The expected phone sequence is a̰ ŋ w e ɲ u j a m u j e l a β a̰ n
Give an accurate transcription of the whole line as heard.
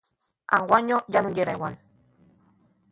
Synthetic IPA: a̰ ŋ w a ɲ o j a n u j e ɾ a w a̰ n